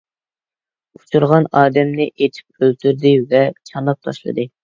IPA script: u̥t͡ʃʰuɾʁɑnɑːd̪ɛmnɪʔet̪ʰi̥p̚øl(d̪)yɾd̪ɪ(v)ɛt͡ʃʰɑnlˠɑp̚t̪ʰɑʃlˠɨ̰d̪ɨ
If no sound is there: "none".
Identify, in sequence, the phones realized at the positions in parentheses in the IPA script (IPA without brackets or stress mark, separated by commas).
t̪, v